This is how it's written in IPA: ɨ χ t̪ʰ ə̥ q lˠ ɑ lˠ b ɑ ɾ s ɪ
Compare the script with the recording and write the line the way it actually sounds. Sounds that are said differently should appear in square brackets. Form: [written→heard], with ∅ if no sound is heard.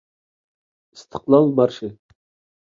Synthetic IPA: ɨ [χ→s] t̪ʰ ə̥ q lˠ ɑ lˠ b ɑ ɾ [s→ʃ] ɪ